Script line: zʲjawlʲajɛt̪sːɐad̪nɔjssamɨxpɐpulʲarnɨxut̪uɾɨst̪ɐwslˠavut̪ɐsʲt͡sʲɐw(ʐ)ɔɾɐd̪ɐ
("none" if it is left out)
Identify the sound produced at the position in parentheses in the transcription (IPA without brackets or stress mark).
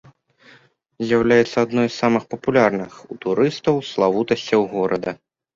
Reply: ɣ